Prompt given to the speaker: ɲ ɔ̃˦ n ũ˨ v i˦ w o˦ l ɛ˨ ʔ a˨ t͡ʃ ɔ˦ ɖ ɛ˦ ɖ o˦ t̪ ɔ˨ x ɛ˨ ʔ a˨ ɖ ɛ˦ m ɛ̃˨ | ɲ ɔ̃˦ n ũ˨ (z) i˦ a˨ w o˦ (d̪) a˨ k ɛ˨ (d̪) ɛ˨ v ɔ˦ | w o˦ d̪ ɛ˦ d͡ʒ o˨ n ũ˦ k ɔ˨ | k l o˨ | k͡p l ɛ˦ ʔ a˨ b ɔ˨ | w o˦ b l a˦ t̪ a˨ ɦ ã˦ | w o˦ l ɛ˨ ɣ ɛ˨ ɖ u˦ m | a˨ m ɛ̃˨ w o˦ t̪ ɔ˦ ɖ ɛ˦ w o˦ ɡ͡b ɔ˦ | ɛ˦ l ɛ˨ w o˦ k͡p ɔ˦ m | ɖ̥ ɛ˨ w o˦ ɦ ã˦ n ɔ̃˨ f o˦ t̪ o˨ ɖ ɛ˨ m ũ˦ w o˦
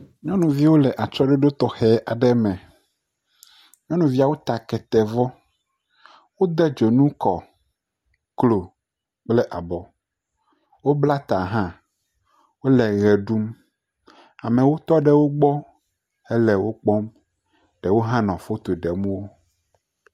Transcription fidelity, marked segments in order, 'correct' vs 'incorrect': incorrect: v, incorrect: t̪, incorrect: t̪

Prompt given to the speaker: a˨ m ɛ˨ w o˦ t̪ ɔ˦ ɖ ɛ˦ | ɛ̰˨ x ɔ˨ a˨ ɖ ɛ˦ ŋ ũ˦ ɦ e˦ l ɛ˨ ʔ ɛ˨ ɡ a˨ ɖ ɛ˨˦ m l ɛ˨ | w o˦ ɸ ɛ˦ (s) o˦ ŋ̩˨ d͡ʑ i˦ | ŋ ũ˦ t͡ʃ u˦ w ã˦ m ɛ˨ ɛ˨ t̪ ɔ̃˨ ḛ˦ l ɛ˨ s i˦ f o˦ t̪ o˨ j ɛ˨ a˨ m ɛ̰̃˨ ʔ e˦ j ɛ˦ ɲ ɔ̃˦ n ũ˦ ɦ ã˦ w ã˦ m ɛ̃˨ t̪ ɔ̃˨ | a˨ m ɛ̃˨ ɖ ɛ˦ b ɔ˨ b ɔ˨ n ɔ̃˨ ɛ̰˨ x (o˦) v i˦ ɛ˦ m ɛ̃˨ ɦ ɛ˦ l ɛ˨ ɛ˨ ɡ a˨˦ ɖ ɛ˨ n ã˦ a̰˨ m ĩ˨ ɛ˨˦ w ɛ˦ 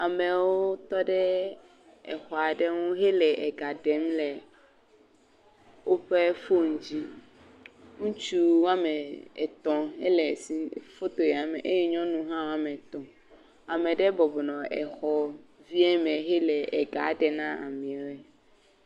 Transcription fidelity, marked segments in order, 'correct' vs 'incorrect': incorrect: f, incorrect: ɔ˦

